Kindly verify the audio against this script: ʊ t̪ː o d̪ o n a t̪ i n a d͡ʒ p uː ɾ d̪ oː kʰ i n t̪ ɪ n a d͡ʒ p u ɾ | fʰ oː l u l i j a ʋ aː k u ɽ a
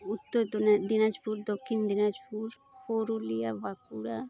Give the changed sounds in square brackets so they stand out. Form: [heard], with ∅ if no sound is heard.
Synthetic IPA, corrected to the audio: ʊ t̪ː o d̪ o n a [d̪] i n a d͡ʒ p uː ɾ d̪ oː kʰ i n [d̪] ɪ n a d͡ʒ p u ɾ | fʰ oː [ɾ] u l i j a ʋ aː k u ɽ a